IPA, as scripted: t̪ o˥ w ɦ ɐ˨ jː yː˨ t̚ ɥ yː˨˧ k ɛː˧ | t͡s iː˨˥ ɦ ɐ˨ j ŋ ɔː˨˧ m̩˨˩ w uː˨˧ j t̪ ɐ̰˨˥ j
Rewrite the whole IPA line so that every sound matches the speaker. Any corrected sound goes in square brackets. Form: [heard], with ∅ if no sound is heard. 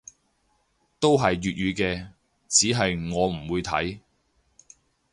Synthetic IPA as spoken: t̪ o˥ w ɦ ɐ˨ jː yː˨ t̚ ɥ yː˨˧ k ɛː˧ | t͡s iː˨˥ ɦ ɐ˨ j ŋ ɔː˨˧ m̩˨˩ w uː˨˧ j [t̪ʰ] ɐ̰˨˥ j